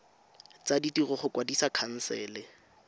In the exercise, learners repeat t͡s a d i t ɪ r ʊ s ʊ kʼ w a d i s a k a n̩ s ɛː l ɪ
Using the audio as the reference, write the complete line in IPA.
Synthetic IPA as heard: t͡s a d i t i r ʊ χ ʊ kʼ w a d i s a kʰ a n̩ s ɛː l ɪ